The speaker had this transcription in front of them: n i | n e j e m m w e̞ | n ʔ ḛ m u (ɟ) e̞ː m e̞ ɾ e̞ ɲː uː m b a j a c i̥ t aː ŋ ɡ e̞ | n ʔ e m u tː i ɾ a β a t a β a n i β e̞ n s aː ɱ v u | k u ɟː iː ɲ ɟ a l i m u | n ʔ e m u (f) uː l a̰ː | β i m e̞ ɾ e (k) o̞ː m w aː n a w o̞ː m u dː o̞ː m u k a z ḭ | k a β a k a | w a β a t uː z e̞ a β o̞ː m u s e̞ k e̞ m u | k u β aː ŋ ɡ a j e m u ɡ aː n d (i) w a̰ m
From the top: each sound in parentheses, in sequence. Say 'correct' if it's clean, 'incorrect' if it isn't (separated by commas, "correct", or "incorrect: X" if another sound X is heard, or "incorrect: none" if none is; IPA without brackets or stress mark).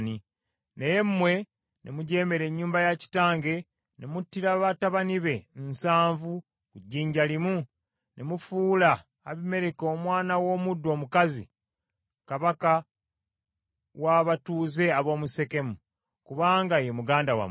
correct, correct, correct, incorrect: a